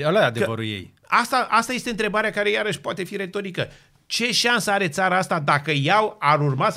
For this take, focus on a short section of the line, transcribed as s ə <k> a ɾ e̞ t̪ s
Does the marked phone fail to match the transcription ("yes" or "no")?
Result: yes